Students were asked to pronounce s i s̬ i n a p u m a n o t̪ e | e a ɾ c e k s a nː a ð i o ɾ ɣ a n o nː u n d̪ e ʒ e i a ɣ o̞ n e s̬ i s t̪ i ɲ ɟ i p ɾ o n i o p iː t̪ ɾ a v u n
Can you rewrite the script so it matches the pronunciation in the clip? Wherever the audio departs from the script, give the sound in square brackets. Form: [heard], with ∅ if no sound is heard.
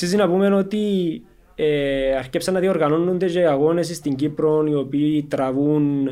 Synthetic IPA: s i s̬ i n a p u m [e] n o t̪ [i] | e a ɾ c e [p] s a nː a ð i o ɾ ɣ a n o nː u n d̪ e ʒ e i a ɣ o̞ n e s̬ i s t̪ i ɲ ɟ i p ɾ o n i o p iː t̪ ɾ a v u n